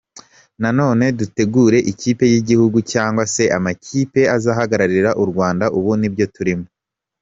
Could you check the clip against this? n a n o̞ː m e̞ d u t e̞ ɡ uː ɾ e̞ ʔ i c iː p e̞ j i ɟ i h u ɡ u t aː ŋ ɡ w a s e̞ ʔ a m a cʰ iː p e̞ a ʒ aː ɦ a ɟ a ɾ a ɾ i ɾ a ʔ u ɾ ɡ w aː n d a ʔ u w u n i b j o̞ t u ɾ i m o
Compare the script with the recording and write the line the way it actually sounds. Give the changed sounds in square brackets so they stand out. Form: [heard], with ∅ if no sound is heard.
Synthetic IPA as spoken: n a n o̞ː [n] e̞ d u t e̞ ɡ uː ɾ e̞ ʔ i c iː p e̞ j i ɟ i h u ɡ u [c] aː ŋ ɡ w a s e̞ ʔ a m a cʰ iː p e̞ a [z] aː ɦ a [ɡ] a ɾ a ɾ i ɾ a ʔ u ɾ ɡ w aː n d a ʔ u [β] u n i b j o̞ t u ɾ i m o